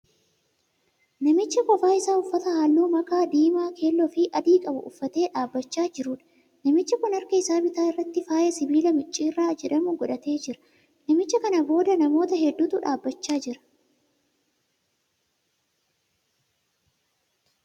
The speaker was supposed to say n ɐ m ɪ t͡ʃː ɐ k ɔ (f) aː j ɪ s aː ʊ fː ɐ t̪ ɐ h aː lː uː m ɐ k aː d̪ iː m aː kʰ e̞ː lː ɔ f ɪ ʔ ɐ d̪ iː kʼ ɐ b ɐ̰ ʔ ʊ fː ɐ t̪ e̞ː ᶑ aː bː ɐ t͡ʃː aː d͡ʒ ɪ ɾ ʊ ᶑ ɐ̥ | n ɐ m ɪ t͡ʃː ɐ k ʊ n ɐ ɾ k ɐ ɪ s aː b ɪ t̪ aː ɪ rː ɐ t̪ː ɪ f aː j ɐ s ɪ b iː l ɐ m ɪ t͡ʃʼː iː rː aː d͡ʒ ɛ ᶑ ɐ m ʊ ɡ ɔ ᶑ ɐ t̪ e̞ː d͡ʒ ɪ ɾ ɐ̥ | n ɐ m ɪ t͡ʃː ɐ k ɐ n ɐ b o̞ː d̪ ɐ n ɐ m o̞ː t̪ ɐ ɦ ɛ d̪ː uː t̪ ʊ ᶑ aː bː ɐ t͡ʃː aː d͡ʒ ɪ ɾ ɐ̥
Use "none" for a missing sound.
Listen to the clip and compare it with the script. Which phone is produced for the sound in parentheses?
f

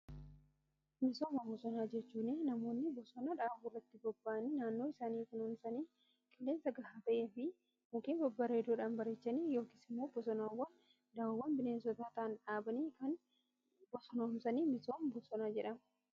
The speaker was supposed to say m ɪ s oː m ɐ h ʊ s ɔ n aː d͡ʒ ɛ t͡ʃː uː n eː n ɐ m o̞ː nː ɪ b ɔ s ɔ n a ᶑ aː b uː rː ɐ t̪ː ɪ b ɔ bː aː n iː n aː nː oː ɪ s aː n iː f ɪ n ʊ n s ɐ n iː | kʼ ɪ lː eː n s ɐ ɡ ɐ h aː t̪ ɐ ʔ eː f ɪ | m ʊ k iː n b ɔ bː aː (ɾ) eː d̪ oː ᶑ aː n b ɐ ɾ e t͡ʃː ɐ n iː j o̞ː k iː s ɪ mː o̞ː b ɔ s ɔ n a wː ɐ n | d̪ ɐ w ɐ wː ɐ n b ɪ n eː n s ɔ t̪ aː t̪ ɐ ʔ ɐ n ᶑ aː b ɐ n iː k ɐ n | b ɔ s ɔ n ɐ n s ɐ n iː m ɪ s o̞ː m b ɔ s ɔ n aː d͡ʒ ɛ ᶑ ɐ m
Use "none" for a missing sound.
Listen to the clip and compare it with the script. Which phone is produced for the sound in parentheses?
ɾ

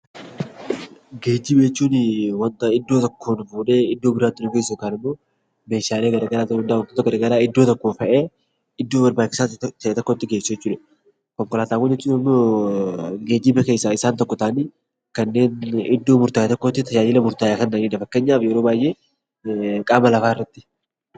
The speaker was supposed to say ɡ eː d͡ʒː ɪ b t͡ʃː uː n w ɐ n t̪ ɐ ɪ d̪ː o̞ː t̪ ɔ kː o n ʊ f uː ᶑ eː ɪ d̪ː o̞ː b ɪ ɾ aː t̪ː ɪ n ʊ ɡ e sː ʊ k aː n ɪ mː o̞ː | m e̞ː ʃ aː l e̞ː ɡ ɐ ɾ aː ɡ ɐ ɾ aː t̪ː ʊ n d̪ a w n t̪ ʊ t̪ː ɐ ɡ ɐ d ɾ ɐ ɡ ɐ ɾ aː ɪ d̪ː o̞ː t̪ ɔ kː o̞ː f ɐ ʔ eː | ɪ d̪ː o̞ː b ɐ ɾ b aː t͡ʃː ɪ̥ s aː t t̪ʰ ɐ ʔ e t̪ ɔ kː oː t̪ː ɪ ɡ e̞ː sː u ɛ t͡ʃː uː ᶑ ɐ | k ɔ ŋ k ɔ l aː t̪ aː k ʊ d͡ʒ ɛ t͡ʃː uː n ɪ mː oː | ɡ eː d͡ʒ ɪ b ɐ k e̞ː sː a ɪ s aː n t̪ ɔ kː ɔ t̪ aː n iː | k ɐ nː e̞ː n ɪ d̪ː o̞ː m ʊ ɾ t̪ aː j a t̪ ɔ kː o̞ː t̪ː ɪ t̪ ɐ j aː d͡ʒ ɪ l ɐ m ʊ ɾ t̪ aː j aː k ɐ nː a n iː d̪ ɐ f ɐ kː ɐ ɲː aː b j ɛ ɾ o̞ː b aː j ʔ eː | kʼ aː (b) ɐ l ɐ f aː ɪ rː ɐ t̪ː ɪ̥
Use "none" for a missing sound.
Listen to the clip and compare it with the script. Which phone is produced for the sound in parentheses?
m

